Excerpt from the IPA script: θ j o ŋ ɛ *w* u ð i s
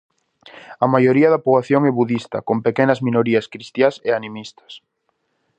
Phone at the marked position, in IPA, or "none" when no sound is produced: β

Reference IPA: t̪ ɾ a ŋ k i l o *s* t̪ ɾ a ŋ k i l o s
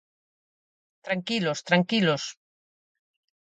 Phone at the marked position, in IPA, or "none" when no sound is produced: s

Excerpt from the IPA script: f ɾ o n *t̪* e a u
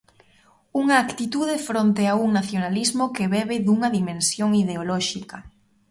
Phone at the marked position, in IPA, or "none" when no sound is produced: t̪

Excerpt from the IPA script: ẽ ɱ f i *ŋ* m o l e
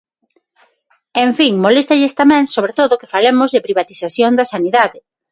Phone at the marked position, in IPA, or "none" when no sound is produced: ŋ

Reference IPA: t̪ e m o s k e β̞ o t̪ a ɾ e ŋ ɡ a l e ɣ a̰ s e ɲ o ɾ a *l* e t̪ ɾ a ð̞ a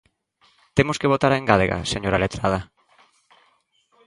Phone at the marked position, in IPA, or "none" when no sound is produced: l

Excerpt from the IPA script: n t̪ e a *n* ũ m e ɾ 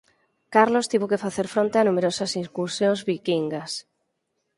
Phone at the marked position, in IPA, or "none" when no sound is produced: n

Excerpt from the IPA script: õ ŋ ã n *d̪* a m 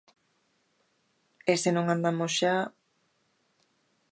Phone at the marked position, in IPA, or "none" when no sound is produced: d̪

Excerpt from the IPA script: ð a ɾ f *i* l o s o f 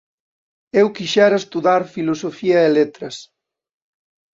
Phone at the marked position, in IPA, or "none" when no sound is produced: i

